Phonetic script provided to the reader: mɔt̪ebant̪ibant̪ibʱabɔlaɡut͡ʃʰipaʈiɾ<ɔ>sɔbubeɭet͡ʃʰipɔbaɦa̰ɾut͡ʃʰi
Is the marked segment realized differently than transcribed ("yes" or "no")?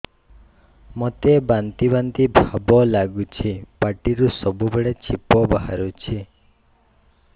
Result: yes